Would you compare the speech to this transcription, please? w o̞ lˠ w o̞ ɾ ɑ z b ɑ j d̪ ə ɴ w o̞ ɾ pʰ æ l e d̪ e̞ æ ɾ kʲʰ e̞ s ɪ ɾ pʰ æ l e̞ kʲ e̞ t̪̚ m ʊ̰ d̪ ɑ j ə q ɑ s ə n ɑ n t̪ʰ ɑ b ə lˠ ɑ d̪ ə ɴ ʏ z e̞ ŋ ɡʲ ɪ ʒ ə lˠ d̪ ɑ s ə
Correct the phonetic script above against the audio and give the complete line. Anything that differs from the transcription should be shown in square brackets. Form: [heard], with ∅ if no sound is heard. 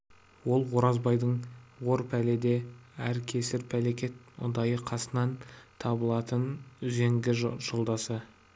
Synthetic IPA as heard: w o̞ lˠ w o̞ ɾ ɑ z b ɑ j d̪ ə ɴ w o̞ ɾ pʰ æ l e d̪ e̞ æ ɾ kʲʰ e̞ s ɪ ɾ pʰ æ l e̞ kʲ e̞ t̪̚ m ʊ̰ d̪ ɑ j ə [qʰ] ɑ s ə n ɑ n t̪ʰ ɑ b ə lˠ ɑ [t̪] ə [n] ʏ z e̞ ŋ ɡʲ ɪ ʒ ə lˠ d̪ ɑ s ə